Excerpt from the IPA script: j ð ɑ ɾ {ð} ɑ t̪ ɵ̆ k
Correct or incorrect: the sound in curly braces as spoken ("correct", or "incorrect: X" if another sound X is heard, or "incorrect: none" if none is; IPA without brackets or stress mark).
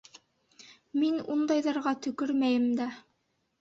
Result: incorrect: ʁ